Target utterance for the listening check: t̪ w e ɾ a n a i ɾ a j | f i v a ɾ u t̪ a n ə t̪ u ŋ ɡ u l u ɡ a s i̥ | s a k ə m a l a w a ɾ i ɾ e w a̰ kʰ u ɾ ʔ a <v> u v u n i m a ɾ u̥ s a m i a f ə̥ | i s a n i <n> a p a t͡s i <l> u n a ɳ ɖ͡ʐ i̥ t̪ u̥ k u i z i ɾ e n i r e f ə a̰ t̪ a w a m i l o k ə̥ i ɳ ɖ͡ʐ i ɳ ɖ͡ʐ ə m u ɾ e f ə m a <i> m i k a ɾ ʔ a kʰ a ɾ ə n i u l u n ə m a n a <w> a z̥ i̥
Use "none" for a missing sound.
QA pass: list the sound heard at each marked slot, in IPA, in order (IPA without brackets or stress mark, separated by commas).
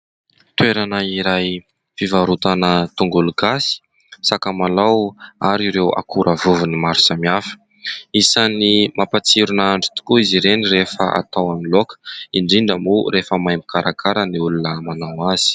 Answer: v, m, ɾ, j, w